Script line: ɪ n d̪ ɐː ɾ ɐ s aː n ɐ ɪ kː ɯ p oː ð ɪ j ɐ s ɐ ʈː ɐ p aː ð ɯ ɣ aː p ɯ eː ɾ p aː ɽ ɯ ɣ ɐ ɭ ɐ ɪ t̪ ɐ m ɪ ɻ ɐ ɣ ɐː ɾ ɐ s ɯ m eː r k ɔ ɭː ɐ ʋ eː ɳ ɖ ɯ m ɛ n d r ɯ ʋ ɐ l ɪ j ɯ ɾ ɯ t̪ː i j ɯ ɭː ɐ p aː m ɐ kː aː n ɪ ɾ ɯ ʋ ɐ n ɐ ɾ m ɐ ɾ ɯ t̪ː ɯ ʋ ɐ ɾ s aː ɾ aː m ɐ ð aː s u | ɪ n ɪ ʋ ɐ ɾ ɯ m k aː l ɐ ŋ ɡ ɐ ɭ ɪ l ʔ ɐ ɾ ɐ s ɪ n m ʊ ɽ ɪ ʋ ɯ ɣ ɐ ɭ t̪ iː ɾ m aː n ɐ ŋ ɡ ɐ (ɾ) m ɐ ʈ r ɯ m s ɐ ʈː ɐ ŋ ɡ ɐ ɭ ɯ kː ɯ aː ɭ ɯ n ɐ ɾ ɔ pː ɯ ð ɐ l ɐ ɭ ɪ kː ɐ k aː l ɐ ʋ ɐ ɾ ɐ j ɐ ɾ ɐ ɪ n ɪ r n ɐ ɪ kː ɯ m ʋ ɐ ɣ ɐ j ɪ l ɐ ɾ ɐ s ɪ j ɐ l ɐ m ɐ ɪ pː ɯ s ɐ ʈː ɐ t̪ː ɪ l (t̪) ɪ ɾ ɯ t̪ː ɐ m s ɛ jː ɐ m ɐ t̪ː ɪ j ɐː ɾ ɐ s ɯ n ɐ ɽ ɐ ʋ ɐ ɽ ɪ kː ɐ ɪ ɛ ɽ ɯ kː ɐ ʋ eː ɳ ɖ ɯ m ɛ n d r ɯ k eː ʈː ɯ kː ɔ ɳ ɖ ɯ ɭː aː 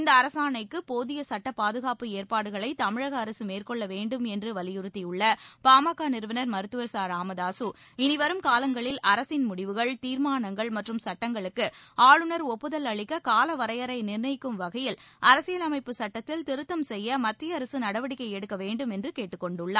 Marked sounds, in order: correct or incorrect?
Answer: incorrect, correct

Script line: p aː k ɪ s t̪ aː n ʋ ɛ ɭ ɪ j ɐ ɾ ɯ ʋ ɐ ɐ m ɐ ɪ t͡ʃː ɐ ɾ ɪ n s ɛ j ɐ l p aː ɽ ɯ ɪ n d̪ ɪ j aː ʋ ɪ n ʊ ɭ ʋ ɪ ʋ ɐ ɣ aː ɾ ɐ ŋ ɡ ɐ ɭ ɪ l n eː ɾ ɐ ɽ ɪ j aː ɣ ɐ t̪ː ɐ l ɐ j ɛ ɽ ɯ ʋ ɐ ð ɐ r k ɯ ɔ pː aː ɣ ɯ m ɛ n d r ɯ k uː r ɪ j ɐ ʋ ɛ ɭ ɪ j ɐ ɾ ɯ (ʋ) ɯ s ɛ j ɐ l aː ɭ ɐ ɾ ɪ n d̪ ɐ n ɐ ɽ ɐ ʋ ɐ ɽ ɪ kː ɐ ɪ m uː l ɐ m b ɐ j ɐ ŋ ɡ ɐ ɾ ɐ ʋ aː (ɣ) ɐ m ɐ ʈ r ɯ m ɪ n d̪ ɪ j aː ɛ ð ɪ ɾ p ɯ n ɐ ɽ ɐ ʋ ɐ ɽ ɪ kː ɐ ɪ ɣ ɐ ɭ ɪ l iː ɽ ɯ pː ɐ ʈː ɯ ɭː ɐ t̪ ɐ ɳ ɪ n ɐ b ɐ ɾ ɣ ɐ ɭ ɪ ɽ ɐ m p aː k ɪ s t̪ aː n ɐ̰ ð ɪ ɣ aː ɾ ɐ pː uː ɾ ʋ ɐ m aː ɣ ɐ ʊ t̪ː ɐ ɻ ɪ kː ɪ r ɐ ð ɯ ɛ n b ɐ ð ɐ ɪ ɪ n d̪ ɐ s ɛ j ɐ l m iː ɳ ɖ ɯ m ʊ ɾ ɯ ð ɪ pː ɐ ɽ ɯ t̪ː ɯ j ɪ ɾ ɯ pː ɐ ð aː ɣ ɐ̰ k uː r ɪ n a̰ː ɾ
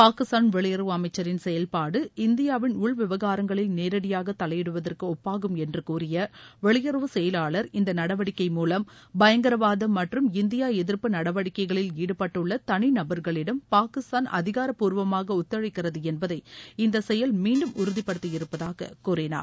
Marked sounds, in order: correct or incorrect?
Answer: correct, incorrect

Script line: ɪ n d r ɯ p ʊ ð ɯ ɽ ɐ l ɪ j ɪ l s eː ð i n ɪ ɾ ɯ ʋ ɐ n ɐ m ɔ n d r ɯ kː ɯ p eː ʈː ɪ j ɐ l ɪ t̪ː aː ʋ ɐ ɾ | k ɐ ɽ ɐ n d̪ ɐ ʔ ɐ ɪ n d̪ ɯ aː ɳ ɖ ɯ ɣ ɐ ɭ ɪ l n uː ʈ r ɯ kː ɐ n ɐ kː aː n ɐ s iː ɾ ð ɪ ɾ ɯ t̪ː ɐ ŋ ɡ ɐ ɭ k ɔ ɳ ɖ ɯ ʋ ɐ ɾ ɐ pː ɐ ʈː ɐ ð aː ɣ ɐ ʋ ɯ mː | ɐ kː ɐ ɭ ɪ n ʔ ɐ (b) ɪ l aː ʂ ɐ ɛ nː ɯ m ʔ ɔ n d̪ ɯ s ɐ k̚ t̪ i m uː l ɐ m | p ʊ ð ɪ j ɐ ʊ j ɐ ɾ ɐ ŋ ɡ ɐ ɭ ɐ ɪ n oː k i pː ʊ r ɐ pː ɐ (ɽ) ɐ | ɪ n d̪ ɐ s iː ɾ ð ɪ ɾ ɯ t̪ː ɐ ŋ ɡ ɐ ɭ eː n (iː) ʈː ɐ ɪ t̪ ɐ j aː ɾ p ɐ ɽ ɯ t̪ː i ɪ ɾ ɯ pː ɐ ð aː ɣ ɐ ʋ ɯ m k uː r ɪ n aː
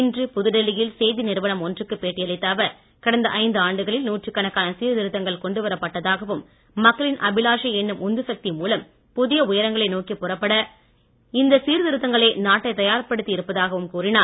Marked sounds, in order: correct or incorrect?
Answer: correct, correct, incorrect

